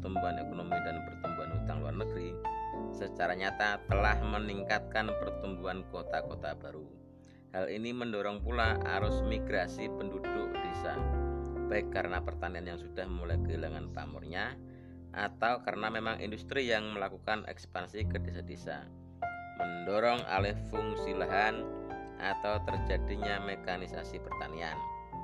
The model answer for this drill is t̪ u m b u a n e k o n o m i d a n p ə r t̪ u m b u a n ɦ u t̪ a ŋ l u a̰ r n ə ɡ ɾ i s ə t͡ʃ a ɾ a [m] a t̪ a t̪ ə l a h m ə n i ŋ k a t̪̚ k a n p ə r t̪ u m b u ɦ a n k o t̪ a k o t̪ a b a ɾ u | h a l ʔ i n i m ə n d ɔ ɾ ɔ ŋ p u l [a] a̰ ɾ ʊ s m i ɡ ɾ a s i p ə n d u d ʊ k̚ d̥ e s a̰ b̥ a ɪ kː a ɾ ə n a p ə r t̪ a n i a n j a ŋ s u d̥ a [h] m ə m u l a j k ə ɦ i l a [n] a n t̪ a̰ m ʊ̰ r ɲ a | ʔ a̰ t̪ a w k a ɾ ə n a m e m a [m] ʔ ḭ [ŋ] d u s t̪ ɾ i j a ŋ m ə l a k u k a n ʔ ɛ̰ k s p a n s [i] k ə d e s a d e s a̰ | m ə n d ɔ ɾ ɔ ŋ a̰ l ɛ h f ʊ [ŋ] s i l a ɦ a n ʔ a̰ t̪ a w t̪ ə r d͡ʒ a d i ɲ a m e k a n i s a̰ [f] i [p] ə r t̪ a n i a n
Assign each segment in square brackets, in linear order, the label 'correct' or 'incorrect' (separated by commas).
incorrect, correct, correct, incorrect, incorrect, incorrect, correct, correct, incorrect, correct